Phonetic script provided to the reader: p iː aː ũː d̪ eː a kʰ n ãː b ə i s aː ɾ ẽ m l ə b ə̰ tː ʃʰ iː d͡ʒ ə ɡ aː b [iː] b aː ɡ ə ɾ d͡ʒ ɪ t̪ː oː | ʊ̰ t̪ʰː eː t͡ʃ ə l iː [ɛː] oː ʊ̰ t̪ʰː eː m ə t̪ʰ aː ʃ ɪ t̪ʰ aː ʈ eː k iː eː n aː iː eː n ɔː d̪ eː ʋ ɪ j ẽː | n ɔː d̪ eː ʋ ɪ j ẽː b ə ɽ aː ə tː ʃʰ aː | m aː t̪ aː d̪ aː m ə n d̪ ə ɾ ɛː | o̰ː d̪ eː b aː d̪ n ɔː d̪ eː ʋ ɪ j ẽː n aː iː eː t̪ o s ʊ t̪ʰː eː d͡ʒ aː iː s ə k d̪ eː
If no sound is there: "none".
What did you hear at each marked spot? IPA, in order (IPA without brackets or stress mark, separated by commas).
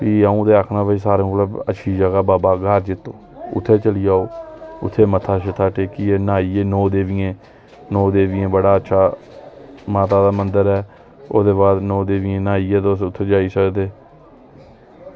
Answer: aː, aː